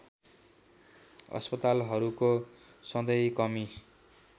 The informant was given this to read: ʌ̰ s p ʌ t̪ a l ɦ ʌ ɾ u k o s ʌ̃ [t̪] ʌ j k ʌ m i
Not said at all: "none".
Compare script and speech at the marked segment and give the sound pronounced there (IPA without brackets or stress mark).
d̪